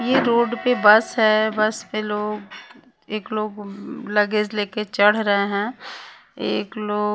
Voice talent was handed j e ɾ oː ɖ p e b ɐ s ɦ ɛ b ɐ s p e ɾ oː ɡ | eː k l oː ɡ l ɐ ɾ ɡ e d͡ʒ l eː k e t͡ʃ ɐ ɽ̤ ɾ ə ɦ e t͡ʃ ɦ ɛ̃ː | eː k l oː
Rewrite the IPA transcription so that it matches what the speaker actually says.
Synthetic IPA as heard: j e ɾ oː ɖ p e b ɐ s ɦ ɛ b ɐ s p e l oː ɡ | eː k l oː ɡ l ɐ ɡ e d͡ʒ l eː k e t͡ʃ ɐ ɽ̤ ɾ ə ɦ e ɦ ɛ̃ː | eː k l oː